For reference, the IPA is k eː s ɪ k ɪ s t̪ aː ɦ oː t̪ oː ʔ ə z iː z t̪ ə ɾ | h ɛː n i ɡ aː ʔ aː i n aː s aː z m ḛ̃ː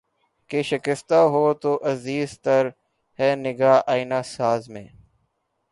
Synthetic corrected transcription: k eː ʃ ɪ k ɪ s t̪ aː ɦ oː t̪ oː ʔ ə z iː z t̪ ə ɾ | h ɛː n ɪ ɡ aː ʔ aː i n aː s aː z m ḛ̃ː